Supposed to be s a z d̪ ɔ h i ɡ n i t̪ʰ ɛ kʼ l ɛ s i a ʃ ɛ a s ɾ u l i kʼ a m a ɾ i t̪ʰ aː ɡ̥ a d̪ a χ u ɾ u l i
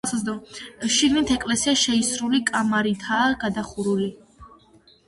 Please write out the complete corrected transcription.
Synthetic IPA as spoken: s a z d̪ ɔ ʃ i ɡ n i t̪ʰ ɛ kʼ l ɛ s i a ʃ ɛ i s ɾ u l i kʼ a m a ɾ i t̪ʰ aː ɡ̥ a d̪ a χ u ɾ u l i

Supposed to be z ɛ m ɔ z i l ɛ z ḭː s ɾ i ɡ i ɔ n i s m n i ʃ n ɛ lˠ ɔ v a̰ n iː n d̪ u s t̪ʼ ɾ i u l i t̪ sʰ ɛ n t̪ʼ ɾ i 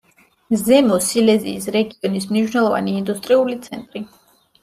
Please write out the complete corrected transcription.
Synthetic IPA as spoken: z ɛ m ɔ s i l ɛ z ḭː s ɾ ɛ ɡ i ɔ n i s m n i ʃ n ɛ lˠ ɔ v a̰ n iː n d̪ u s t̪ʼ ɾ i u l i t̪ sʰ ɛ n t̪ʼ ɾ i

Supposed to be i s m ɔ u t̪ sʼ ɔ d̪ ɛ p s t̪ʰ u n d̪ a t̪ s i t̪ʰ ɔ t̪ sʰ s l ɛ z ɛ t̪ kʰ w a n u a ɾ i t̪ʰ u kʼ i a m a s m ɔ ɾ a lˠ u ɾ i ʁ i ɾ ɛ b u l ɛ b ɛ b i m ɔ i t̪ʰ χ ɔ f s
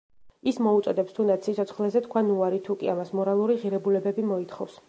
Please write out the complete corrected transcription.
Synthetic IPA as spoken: i s m ɔ u t̪ sʼ ɔ d̪ ɛ p s t̪ʰ u n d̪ a t̪ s i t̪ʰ ɔ t̪ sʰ χ l ɛ z ɛ t̪ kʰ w a n u a ɾ i t̪ʰ u kʼ i a m a s m ɔ ɾ a lˠ u ɾ i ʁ i ɾ ɛ b u l ɛ b ɛ b i m ɔ i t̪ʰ χ ɔ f s

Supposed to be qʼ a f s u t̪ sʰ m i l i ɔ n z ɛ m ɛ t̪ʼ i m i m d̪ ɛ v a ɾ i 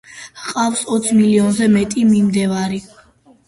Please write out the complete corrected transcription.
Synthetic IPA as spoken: qʼ a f s ɔ t̪ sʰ m i l i ɔ n z ɛ m ɛ t̪ʼ i m i m d̪ ɛ v a ɾ i

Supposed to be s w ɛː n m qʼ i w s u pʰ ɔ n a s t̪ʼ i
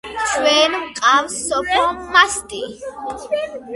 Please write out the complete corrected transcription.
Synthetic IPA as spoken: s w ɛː n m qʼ a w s ɔ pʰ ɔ m a s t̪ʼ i

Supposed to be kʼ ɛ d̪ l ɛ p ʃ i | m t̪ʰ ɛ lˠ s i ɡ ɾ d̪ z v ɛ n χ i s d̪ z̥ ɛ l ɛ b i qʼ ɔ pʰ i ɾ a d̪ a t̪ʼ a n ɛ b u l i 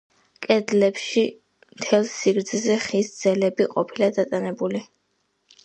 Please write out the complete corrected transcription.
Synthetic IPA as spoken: kʼ ɛ d̪ l ɛ p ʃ i | m t̪ʰ ɛ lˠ s i ɡ ɾ d̪ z z ɛ χ i s d̪ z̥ ɛ l ɛ b i qʼ ɔ pʰ i l a d̪ a t̪ʼ a n ɛ b u l i

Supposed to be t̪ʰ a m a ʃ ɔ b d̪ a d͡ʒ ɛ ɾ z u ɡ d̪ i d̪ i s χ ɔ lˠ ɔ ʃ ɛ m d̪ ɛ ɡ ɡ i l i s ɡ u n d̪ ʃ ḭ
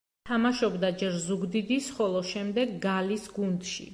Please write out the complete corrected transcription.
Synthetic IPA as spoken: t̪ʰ a m a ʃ ɔ b d̪ a d͡ʒ ɛ ɾ z u ɡ d̪ i d̪ i s χ ɔ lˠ ɔ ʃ ɛ m d̪ ɛ ɡ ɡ a l i s ɡ u n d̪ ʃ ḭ

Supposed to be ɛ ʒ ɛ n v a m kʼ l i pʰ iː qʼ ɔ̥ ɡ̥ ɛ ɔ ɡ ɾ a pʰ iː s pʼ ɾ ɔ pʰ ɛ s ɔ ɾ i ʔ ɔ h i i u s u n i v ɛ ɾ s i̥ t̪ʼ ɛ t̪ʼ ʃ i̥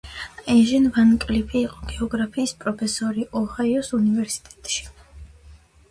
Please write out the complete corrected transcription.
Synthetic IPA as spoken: ɛ ʒ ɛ n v a n kʼ l i pʰ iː qʼ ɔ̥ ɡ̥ ɛ ɔ ɡ ɾ a pʰ iː s pʼ ɾ ɔ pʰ ɛ s ɔ ɾ i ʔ ɔ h a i ɔ s u n i v ɛ ɾ s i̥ t̪ʼ ɛ t̪ʼ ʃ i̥

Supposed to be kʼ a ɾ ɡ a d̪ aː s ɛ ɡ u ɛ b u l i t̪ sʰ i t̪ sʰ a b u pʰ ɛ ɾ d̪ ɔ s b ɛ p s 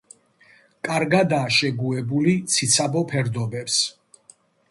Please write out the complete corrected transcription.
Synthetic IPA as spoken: kʼ a ɾ ɡ a d̪ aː ʃ ɛ ɡ u ɛ b u l i t̪ sʰ i t̪ sʰ a b ɔ pʰ ɛ ɾ d̪ ɔ b ɛ p s

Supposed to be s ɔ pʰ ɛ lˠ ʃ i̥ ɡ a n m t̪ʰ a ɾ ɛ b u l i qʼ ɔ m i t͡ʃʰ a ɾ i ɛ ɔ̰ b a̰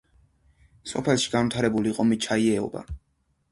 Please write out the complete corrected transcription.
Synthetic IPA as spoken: s ɔ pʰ ɛ lˠ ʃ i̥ ɡ a n m t̪ʰ a ɾ ɛ b u l i qʼ ɔ m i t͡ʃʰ a i ɛ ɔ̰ b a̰

